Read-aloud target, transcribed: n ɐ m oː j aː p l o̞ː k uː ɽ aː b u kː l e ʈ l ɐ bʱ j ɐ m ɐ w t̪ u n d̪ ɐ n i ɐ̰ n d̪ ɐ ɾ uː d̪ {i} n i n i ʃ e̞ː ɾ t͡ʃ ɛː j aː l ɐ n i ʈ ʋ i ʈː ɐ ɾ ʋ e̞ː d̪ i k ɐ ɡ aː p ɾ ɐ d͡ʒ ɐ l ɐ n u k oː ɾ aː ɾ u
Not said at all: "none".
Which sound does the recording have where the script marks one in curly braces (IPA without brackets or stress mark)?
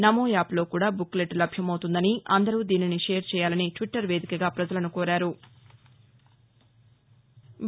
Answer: iː